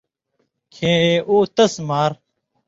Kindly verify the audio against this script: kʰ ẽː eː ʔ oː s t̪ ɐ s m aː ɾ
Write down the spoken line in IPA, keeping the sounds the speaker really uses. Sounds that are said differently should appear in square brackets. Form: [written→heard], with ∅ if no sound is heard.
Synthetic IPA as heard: kʰ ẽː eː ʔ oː [s→∅] t̪ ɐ s m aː ɾ

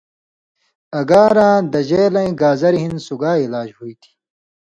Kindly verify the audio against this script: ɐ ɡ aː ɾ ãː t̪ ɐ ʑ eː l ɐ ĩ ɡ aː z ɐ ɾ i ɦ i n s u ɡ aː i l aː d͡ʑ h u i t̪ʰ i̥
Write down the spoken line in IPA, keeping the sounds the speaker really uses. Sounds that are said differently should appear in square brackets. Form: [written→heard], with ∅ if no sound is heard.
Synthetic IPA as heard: ɐ ɡ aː ɾ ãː [t̪→d̪] ɐ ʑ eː l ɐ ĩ ɡ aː z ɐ ɾ i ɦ i n s u ɡ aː i l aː d͡ʑ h u i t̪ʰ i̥

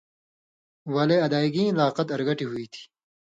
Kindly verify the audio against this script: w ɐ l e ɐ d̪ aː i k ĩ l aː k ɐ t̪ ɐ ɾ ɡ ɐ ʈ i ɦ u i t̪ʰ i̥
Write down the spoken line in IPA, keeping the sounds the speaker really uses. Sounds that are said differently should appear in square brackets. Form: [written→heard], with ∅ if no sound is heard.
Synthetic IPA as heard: w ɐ l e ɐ d̪ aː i [k→ɡ] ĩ l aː [k→q] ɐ t̪ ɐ ɾ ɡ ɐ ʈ i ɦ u i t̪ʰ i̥

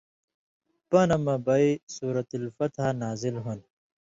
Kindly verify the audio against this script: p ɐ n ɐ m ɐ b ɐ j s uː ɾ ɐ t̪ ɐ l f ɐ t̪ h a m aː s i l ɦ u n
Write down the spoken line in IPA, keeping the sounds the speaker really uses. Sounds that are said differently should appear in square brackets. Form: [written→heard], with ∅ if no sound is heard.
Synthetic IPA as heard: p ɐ n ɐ m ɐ b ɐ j s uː ɾ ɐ t̪ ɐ l f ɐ t̪ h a [m→n] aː [s→z] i l ɦ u n

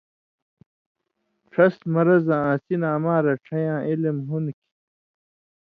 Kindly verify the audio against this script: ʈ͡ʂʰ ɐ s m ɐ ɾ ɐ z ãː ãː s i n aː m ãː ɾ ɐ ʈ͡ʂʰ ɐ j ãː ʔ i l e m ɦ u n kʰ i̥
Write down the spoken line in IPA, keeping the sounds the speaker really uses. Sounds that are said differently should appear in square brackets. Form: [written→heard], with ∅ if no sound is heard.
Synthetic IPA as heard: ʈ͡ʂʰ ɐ s m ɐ ɾ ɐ z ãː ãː s i n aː m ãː ɾ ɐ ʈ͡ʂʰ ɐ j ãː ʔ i l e m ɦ u n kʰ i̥

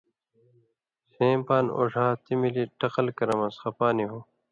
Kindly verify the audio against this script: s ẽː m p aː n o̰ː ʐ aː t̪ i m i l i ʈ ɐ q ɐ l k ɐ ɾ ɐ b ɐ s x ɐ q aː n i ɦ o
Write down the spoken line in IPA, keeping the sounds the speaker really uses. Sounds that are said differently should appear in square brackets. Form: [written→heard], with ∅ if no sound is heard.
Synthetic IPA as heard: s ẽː m p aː n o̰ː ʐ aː t̪ i m i l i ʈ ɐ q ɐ l k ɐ ɾ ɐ [b→m] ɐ s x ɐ [q→p] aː n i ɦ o

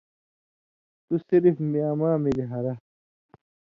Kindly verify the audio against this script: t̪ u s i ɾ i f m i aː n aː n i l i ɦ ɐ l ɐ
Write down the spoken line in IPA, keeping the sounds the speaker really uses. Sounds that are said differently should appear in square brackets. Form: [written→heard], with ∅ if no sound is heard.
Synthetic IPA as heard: t̪ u s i ɾ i f m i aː [n→m] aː [n→m] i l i ɦ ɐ [l→ɾ] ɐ

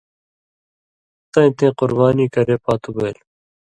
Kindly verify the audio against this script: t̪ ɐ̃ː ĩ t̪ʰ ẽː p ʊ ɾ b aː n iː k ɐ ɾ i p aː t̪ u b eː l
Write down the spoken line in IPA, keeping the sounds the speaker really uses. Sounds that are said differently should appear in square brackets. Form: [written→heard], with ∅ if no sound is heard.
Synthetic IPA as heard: t̪ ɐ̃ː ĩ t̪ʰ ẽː [p→q] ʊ ɾ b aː n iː k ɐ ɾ [i→e] p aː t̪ u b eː l

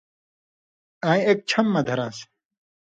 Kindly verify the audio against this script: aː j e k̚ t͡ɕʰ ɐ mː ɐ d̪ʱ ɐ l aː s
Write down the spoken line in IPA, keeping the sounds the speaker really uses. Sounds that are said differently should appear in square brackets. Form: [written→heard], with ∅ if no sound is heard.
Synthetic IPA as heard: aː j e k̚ t͡ɕʰ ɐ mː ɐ d̪ʱ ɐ [l→ɾ] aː s

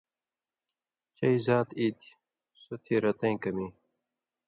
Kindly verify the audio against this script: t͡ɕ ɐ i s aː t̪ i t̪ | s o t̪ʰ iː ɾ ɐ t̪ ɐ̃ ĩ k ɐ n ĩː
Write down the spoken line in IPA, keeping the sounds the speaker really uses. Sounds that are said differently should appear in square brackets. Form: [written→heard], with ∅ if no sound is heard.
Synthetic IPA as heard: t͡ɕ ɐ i [s→z] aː t̪ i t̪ | s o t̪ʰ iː ɾ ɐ t̪ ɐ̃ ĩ k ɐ [n→m] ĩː

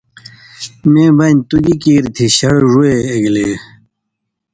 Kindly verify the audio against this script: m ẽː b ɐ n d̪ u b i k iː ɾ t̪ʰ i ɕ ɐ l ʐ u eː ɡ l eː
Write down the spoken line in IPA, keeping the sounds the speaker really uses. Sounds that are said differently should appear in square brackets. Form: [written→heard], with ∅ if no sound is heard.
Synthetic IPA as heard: m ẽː b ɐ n [d̪→t̪] u [b→ɡ] i k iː ɾ t̪ʰ i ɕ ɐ [l→ɽ] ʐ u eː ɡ l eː

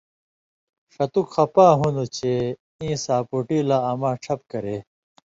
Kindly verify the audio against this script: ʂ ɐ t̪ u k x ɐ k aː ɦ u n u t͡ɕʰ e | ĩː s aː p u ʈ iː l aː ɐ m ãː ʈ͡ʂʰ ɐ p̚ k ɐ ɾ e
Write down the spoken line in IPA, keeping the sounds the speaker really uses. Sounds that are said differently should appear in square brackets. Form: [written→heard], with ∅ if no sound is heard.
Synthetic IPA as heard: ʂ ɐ t̪ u k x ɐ [k→p] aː ɦ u n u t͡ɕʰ e | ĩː s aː p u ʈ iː l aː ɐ m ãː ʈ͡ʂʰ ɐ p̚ k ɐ ɾ e

